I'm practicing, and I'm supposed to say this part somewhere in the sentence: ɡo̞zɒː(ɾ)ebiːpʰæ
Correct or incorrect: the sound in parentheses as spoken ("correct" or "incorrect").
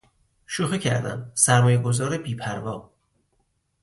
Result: correct